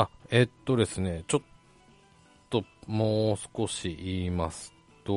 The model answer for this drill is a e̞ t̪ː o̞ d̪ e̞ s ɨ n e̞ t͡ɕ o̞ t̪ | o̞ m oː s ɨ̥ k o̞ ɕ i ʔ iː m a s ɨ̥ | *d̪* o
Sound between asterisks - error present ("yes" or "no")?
yes